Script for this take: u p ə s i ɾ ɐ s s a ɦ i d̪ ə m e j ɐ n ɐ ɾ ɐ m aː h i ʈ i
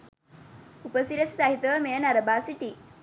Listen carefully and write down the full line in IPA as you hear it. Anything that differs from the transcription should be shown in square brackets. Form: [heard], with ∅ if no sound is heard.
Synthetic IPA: u p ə s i ɾ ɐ s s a ɦ i [t̪] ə m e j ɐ n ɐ ɾ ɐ [b] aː [s] i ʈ i